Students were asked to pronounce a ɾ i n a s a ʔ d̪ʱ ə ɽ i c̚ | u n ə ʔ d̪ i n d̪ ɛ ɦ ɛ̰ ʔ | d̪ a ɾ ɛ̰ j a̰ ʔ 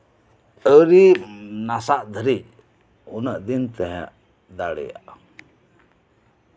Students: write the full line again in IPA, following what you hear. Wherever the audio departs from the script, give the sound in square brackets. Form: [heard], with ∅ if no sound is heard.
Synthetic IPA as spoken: [ə] ɾ i n a s a ʔ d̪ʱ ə [ɾ] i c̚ | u n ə ʔ d̪ i n [t̪] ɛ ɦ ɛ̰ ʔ | d̪ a [ɽ] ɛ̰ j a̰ ʔ